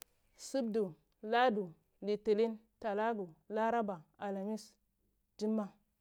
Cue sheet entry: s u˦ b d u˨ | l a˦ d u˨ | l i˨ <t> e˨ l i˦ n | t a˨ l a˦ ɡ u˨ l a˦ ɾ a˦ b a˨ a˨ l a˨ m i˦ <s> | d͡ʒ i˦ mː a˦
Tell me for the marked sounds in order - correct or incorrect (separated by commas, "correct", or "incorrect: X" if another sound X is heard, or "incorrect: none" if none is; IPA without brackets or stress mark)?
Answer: correct, correct